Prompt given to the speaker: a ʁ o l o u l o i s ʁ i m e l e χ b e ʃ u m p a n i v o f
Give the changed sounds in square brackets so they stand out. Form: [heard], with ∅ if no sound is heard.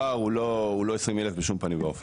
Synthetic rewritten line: a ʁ [u] l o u l o [e] s ʁ i m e l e [f] b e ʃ u m p a n i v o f